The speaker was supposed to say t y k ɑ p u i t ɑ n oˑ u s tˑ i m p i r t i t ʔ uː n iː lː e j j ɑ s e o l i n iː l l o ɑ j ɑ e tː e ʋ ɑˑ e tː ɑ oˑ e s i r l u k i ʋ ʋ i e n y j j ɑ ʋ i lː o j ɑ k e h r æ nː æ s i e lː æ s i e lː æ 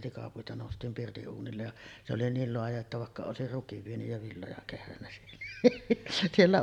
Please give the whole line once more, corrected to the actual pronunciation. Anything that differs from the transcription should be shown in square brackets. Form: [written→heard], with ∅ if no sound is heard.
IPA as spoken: t [y→i] k ɑ p u i t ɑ n oˑ u s tˑ [i→iː] m p i r t i [t→ʔ] ʔ uː n [iː→i] lː e j j ɑ s e o l i n iː l l o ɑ j ɑ e tː [e→æ] ʋ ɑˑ e [tː→kː] ɑ oˑ e s i r [l→r] u k i ʋ ʋ i e n y j j ɑ ʋ i lː o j ɑ k e h r æ nː æ s i e lː æ s i e lː æ